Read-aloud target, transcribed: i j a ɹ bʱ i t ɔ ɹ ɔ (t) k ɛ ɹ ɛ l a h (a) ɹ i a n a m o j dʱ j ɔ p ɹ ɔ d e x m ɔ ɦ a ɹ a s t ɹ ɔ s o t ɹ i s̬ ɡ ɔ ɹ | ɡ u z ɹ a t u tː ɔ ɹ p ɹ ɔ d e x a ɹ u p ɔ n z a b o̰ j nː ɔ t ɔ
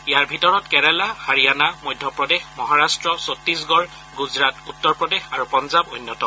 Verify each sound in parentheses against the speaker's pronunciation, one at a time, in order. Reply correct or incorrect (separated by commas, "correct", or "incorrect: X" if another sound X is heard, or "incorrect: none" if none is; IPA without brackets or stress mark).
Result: correct, correct